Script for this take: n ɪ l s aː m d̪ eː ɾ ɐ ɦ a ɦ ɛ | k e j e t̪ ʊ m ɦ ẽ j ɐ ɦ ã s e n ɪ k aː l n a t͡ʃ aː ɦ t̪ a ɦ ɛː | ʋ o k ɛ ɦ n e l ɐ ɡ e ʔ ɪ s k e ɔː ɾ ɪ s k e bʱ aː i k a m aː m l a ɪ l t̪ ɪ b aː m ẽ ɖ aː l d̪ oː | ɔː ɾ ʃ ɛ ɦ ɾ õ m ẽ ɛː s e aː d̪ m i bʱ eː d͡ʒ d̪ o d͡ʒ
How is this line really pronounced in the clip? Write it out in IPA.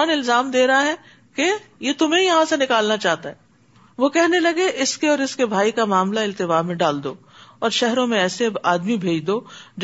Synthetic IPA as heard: n ɪ l z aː m d̪ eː ɾ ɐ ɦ a ɦ ɛ | k e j e t̪ ʊ m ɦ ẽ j ɐ ɦ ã s e n ɪ k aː l n a t͡ʃ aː ɦ t̪ a ɦ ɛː | ʋ o k ɛ ɦ n e l ɐ ɡ e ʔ ɪ s k e ɔː ɾ ɪ s k e bʱ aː i k a m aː m l a ɪ l t̪ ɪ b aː m ẽ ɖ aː l d̪ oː | ɔː ɾ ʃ ɛ ɦ ɾ õ m ẽ ɛː s e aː d̪ m i bʱ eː d͡ʒ d̪ o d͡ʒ